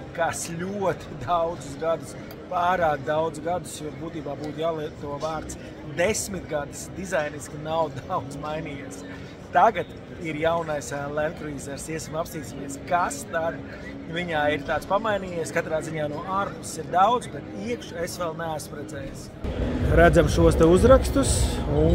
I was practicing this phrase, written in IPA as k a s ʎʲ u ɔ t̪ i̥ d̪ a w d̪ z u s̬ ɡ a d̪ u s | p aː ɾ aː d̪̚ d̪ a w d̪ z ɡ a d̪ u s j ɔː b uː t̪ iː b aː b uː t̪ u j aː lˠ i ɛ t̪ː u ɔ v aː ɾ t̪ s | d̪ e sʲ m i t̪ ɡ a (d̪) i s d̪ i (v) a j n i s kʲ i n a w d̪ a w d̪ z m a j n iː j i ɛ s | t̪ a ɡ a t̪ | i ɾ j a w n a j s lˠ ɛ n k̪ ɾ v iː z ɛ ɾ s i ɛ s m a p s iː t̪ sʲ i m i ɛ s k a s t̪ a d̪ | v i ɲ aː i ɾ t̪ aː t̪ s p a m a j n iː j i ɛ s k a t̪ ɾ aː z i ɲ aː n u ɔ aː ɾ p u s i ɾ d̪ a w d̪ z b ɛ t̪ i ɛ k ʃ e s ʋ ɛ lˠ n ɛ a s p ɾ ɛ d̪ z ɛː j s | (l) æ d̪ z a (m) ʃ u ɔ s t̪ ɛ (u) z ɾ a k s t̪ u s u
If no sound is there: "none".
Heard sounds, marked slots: d̪, z, ɾ, m, u

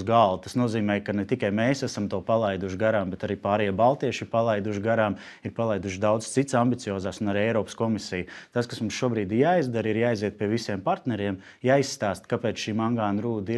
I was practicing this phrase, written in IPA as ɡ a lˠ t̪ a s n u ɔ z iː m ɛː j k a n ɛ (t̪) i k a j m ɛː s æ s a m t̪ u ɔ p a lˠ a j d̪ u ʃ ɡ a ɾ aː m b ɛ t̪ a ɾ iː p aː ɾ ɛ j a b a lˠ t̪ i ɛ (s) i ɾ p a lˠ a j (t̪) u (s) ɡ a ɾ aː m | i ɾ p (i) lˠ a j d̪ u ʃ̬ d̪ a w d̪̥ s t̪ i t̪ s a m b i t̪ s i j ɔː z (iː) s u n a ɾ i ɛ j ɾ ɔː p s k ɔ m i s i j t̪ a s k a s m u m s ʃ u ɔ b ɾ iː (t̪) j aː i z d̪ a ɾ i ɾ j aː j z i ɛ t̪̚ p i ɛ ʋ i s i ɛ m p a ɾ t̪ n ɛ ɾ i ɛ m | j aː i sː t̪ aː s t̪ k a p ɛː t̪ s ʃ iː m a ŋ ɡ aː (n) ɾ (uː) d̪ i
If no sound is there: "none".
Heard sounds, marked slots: t̪, ʃ, d̪, ʃ, a, aː, d̪, n, uː

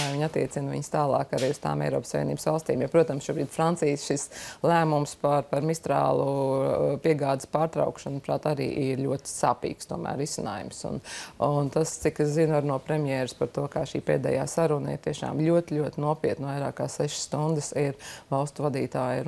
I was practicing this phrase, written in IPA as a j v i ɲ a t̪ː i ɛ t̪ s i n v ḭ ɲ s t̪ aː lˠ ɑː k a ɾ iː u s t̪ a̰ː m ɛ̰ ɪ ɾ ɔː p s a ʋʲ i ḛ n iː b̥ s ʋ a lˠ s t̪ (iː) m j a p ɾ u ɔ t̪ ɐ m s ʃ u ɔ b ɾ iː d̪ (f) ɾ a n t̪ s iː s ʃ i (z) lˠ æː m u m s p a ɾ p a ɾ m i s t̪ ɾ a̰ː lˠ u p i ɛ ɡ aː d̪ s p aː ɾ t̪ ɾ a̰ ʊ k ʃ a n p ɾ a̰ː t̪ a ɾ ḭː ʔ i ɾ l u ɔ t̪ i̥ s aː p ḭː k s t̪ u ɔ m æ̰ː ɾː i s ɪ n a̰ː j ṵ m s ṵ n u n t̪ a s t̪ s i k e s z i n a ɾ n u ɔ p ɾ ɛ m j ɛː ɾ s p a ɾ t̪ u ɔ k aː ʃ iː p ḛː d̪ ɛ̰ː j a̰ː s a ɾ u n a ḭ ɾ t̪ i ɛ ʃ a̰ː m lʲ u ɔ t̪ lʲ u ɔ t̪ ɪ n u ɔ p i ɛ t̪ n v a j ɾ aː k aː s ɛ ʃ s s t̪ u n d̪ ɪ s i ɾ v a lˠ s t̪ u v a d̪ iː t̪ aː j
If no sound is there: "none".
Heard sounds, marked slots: iː, f, s

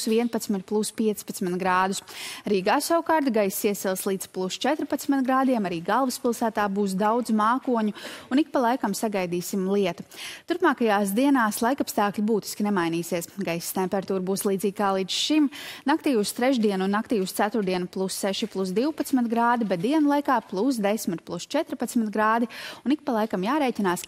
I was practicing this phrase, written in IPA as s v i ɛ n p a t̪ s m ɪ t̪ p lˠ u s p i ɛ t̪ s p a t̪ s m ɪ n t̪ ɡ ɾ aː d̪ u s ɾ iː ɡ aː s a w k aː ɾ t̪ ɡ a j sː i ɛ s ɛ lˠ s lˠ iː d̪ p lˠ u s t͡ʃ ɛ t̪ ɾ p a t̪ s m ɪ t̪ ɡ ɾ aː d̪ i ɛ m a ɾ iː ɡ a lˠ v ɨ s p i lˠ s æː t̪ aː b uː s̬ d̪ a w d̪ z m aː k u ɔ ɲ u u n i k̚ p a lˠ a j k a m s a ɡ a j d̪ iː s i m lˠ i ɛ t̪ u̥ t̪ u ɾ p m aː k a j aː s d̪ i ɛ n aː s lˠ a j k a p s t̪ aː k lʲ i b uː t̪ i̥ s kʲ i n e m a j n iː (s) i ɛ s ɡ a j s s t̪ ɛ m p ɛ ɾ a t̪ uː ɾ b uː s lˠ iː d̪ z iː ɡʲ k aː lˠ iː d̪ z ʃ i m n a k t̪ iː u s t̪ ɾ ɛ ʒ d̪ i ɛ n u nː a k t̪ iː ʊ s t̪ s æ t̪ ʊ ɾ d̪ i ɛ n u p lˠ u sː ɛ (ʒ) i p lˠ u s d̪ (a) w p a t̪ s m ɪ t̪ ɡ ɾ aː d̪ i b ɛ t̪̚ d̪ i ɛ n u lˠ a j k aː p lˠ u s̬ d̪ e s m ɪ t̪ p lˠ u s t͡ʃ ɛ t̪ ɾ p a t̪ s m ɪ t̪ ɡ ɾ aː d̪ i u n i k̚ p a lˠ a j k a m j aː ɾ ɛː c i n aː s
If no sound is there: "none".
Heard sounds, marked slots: s, ʃ, i

